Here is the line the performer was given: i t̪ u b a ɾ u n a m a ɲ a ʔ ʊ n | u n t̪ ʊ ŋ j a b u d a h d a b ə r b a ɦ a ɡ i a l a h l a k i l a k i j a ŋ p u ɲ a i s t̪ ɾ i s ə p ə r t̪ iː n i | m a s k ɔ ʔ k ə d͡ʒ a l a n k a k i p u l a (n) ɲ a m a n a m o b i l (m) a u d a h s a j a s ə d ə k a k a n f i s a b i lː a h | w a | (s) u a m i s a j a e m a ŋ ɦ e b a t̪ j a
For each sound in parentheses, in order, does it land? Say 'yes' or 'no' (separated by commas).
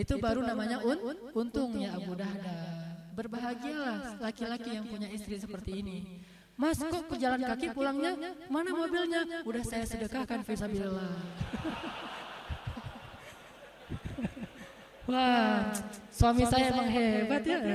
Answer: no, no, yes